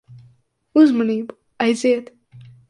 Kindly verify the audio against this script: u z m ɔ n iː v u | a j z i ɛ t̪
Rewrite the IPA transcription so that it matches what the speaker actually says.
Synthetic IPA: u z m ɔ n iː b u | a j z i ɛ t̪

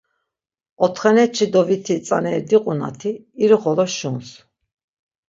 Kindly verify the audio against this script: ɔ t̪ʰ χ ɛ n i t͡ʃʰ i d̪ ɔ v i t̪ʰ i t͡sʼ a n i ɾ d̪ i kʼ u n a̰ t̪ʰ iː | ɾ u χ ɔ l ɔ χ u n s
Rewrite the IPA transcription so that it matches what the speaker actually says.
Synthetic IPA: ɔ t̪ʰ χ ɛ n ɛ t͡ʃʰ i d̪ ɔ v i t̪ʰ i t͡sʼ a n ɛ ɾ d̪ i qʼ u n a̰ t̪ʰ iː | ɾ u χ ɔ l ɔ ʃ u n s

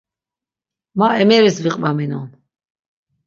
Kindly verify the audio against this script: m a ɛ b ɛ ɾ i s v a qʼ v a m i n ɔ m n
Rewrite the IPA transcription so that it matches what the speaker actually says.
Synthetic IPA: m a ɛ m ɛ ɾ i s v i qʼ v a m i n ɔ n

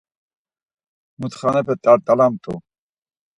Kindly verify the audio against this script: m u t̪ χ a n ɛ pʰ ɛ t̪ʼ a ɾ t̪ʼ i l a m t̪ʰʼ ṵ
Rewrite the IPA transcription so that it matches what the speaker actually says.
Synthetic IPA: m u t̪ χ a n ɛ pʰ ɛ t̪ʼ a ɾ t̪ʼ a l a m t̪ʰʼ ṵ

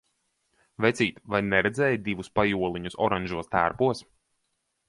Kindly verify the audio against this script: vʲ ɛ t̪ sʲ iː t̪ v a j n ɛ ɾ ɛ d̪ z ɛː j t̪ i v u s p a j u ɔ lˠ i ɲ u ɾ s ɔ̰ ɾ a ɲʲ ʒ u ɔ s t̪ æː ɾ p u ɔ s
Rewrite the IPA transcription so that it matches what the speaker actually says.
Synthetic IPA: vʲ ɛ t̪ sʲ iː t̪ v a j n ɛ ɾ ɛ d̪ z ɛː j d̪ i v u s p a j u ɔ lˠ i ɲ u s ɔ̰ ɾ a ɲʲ ʒ u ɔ s t̪ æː ɾ p u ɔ s

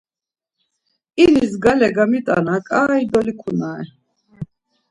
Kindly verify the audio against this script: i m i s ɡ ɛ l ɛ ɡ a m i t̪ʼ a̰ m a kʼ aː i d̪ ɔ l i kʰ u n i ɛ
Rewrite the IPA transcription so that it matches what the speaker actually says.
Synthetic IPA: i n i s ɡ a l ɛ ɡ a m i t̪ʼ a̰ n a kʼ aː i d̪ ɔ l i kʰ u n a ɛ

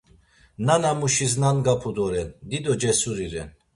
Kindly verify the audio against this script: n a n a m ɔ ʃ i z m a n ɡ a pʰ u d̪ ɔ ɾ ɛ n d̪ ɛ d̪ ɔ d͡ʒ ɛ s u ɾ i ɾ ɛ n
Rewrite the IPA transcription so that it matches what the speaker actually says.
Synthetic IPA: n a n a m u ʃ i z n a n ɡ a pʰ u d̪ ɔ ɾ ɛ n d̪ i d̪ ɔ d͡ʒ ɛ s u ɾ i ɾ ɛ n

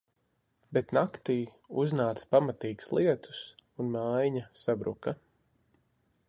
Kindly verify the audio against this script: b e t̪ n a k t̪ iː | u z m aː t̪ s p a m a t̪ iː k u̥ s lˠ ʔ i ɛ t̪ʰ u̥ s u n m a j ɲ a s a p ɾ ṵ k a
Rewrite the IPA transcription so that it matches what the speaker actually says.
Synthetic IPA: b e t̪ n a k t̪ iː | u z n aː t̪ s p a m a t̪ iː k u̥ s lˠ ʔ i ɛ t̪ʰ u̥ s u n m a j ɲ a s a b ɾ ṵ k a

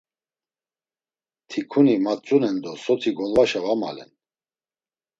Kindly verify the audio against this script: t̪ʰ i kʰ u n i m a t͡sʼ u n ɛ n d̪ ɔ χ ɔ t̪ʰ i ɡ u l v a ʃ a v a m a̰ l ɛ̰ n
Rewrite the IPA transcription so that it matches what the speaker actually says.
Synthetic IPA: t̪ʰ i kʰ u n i m a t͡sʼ u n ɛ n d̪ ɔ s ɔ t̪ʰ i ɡ ɔ l v a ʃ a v a m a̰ l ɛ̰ n

